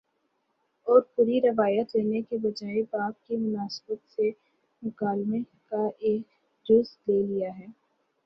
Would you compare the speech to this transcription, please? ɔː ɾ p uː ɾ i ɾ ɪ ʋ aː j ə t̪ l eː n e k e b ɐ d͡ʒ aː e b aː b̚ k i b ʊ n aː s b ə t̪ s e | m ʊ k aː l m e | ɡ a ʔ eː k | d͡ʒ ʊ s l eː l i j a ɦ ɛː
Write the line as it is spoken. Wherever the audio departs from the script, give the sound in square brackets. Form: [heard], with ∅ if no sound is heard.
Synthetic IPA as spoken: ɔː ɾ p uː ɾ i ɾ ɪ ʋ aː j ə t̪ l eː n e k e b ɐ d͡ʒ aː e b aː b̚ k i [m] ʊ n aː s b ə t̪ s e | m ʊ k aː l m e | [k] a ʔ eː k | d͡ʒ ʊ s l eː l i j a ɦ ɛː